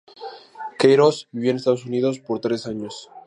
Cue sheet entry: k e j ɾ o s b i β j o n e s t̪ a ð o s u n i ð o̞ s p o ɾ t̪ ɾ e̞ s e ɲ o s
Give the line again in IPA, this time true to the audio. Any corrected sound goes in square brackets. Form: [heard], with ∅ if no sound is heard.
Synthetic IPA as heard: k e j ɾ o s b i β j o n e s t̪ a ð o s u n i ð o̞ s p o ɾ t̪ ɾ e̞ s [a] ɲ o s